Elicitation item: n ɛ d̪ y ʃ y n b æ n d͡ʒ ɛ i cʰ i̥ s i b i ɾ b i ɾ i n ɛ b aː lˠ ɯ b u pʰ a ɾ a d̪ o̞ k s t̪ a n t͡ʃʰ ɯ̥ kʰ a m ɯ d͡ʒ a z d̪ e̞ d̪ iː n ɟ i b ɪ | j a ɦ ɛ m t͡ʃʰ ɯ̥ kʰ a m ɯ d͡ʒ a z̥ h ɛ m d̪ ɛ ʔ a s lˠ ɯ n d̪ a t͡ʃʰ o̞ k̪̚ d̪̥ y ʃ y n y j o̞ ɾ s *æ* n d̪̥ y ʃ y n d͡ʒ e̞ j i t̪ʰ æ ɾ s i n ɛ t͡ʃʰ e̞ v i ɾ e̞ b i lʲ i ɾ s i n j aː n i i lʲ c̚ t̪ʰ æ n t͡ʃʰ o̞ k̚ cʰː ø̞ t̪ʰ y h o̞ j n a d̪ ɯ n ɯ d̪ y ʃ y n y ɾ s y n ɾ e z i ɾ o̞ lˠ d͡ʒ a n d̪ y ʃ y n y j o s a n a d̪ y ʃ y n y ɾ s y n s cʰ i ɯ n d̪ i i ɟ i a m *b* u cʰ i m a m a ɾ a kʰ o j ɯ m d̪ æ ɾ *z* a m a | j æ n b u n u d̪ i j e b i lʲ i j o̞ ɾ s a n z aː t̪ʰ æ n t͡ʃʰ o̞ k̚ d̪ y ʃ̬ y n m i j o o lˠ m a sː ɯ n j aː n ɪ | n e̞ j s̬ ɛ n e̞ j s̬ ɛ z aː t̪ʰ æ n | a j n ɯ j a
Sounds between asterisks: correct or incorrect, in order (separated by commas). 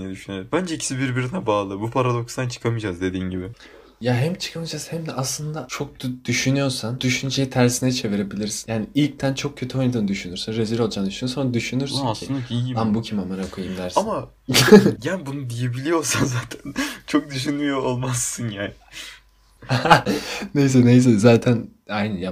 incorrect, correct, incorrect